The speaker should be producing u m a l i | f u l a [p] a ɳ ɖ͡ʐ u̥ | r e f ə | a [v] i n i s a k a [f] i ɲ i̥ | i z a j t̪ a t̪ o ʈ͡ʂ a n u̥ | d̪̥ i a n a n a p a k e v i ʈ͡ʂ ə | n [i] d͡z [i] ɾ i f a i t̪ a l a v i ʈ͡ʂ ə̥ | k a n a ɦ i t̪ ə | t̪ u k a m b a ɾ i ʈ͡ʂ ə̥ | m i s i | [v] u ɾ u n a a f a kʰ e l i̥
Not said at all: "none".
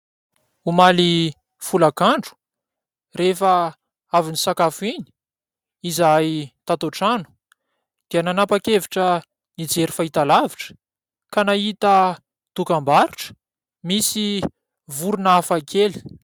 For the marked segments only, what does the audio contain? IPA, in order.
k, v, f, i, e, v

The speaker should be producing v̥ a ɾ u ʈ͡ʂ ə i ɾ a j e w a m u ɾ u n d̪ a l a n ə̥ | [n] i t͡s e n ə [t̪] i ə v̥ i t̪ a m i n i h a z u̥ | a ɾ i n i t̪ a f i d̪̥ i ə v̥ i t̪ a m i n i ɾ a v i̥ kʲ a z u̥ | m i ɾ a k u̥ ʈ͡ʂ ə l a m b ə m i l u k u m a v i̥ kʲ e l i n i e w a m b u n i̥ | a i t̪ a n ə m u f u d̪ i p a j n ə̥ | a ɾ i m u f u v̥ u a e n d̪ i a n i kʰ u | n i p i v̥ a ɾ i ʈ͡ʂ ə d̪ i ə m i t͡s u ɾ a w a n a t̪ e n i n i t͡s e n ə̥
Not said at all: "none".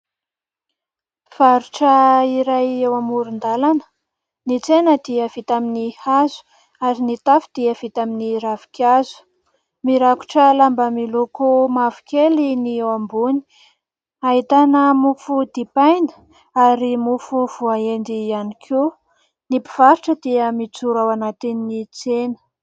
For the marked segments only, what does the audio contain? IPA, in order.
n, d̪

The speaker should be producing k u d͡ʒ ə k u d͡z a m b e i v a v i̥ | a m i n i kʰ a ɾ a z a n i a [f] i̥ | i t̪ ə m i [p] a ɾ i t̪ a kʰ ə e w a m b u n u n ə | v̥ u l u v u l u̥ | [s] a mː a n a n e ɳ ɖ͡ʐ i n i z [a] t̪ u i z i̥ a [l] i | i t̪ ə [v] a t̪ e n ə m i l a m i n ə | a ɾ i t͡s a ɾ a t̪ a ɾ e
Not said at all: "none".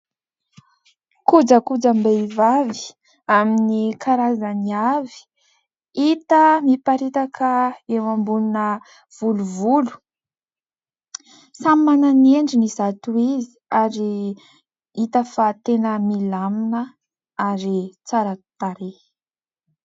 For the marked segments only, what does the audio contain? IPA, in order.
v, p, s, a, ɾ, f

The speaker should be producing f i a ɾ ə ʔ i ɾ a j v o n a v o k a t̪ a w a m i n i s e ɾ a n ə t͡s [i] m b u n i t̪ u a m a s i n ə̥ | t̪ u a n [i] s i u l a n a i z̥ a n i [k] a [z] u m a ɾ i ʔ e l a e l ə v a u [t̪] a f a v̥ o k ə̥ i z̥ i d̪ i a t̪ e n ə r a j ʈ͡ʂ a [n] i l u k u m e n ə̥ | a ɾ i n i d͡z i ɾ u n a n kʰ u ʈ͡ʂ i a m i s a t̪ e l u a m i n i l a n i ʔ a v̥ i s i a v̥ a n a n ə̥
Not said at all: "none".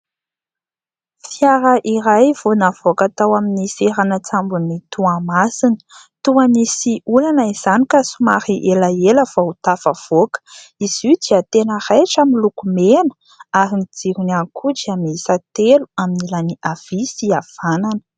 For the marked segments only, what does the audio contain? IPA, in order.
a, i, k, s, t̪, m

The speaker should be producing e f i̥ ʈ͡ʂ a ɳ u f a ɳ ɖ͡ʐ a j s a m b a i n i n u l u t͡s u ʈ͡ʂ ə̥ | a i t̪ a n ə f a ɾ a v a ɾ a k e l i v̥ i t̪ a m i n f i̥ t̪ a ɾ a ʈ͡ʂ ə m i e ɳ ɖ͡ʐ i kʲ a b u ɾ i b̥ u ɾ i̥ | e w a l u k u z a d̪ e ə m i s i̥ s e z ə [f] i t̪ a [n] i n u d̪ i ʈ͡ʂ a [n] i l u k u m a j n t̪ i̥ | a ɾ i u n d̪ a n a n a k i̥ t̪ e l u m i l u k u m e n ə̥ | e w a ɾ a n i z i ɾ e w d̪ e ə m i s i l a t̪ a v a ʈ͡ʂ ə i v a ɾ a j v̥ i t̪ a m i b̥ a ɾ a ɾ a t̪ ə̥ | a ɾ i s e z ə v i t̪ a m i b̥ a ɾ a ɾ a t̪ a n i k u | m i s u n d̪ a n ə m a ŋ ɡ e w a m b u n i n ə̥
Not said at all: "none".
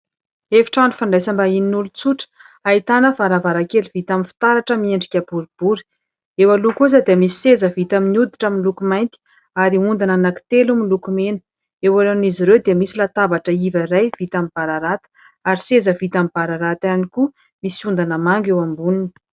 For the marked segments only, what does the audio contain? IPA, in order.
v, m, m

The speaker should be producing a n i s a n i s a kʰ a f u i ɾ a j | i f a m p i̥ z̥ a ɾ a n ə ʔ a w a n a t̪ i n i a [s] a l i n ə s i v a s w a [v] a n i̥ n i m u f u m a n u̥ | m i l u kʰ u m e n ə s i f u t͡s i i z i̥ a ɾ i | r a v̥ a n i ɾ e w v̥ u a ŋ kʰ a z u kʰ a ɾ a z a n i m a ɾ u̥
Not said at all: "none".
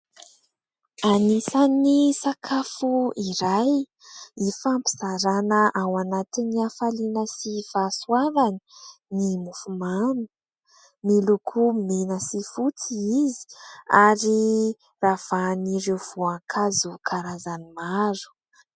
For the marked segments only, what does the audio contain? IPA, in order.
f, v

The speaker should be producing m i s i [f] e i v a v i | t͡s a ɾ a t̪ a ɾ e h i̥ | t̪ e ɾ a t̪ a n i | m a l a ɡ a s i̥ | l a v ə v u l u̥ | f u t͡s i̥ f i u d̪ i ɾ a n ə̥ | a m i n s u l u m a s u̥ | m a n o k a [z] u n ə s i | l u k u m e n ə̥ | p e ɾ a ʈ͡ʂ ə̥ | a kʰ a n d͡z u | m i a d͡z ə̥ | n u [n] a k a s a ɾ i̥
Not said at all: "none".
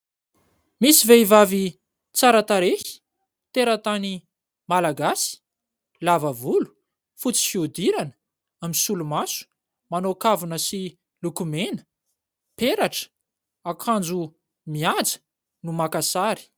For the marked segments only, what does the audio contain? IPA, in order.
v, v, m

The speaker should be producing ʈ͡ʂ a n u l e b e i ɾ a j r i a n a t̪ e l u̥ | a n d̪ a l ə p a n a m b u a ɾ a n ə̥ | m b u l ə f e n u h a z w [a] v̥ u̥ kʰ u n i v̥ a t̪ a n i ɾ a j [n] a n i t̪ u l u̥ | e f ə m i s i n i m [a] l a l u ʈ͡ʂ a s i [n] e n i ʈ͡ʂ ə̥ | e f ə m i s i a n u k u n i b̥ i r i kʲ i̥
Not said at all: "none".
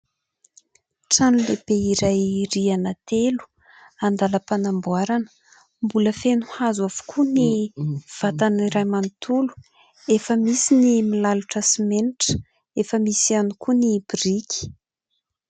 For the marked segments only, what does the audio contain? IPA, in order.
a, m, i, m

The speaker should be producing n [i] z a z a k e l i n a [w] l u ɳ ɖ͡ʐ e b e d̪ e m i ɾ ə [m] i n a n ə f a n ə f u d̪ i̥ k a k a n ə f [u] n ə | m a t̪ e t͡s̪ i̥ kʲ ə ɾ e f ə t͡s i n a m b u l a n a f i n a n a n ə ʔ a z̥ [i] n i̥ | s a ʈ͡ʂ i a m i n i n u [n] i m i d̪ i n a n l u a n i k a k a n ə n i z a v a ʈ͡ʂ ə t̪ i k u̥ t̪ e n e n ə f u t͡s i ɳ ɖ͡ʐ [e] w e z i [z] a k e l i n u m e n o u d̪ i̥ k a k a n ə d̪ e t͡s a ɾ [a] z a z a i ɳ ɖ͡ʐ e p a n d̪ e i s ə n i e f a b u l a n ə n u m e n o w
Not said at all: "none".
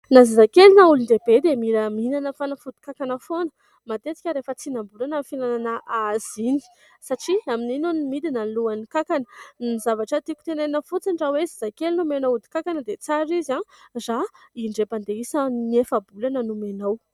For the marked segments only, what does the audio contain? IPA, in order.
a, u, m, o, i, n, a, z, i

